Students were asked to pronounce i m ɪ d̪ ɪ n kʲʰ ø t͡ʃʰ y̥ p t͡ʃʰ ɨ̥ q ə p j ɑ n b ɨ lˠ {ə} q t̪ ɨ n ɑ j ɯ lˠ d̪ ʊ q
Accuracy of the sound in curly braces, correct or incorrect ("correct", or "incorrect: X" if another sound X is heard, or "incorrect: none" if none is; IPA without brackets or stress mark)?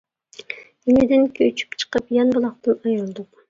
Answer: incorrect: ɑ